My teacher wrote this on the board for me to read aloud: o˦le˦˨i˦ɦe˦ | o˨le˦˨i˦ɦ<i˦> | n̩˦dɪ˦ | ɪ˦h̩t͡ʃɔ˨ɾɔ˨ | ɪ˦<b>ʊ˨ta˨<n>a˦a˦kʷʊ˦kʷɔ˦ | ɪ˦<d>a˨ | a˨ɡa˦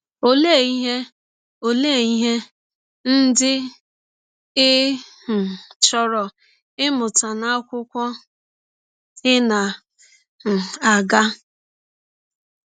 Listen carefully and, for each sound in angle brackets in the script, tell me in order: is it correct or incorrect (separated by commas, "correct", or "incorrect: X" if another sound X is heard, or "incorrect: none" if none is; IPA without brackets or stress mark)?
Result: incorrect: e˦, incorrect: m, correct, incorrect: n